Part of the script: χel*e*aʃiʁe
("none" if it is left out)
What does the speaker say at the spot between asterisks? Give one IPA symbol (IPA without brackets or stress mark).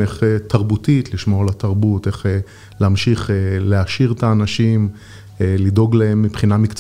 e